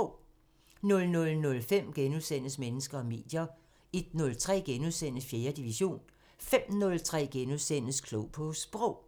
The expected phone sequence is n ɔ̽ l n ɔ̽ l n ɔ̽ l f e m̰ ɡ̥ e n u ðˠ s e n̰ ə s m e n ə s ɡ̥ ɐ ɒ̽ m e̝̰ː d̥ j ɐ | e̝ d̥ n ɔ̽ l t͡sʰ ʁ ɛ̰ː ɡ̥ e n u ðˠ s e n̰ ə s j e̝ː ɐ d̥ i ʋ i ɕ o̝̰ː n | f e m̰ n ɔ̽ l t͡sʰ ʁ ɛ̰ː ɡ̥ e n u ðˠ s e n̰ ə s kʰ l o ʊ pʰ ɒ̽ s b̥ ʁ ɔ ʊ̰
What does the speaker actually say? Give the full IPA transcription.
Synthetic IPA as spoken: n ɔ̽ l n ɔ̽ l n ɔ̽ l f e m̰ ɡ̥ e n u ðˠ s e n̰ ə s m e n ə s ɡ̥ ɐ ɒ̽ m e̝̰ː d̥ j ɐ | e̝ d̥ n ɔ̽ l t͡sʰ ʁ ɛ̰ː ɡ̥ e n u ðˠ s e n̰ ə f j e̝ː ɐ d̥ i ʋ i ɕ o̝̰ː n | f e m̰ n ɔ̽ l t͡sʰ ʁ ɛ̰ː ɡ̥ e n u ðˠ s e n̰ ə s kʰ l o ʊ pʰ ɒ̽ s b̥ ʁ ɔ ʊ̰